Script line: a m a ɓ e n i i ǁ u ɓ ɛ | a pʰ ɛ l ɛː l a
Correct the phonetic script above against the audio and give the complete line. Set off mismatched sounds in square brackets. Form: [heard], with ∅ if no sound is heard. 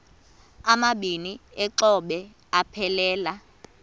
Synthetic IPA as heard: a m a ɓ [i] n i [ɛ] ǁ [ɔ] ɓ ɛ | a pʰ ɛ l ɛː l a